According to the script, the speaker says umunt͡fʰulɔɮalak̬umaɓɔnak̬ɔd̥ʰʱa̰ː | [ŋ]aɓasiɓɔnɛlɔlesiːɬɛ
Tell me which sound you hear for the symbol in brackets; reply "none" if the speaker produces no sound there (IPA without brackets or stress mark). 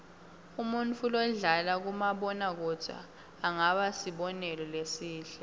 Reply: ŋ